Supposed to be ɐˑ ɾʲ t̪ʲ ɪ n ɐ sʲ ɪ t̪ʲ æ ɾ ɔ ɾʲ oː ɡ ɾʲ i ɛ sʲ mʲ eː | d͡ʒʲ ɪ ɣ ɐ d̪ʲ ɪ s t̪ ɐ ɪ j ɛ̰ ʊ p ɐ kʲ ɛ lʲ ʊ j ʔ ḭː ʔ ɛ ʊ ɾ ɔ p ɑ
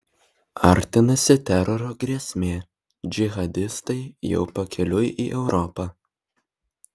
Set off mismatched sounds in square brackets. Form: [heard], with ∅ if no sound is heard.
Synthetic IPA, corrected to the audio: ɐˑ ɾʲ t̪ʲ ɪ n ɐ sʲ ɪ t̪ʲ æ ɾ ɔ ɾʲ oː ɡ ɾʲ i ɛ sʲ mʲ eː | d͡ʒʲ ɪ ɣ ɐ d̪ʲ ɪ s t̪ ɐ ɪ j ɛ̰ ʊ p ɐ kʲ ɛ lʲ ʊ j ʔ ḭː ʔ ɛ ʊ ɾ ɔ p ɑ